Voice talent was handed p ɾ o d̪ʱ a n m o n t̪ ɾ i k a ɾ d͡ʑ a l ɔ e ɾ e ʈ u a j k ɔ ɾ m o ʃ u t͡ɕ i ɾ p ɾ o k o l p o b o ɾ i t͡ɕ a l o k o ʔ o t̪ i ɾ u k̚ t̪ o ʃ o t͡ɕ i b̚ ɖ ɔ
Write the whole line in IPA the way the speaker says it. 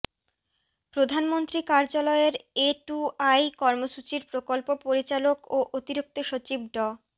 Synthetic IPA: p ɾ o d̪ʱ a n m o n t̪ ɾ i k a ɾ d͡ʑ a l ɔ e ɾ e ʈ u a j k ɔ ɾ m o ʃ u t͡ɕ i ɾ p ɾ o k o l p o p o ɾ i t͡ɕ a l o k o ʔ o t̪ i ɾ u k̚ t̪ o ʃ o t͡ɕ i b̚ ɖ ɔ